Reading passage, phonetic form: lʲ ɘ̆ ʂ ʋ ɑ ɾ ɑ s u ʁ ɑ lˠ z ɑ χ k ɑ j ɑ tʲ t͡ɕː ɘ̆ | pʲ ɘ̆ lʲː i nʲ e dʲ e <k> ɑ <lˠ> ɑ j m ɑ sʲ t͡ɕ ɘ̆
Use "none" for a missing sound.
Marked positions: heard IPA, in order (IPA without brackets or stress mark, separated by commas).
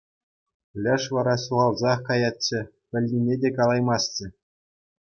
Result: k, lˠ